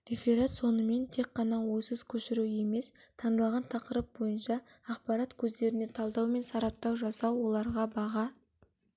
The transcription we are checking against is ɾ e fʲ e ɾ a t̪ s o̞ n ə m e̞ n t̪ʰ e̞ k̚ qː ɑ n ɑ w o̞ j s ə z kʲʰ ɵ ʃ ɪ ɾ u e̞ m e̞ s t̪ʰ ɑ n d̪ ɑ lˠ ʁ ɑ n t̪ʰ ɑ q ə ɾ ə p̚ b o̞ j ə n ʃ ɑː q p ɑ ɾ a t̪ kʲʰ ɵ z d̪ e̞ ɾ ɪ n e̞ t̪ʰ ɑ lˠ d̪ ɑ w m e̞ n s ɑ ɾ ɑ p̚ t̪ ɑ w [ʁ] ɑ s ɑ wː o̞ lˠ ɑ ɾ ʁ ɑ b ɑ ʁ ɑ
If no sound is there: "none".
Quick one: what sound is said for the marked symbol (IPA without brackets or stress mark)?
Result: ʒ